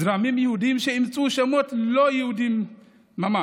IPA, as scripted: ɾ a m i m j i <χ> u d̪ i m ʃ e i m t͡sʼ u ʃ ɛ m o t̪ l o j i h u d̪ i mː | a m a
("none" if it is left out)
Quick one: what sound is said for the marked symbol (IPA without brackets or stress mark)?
h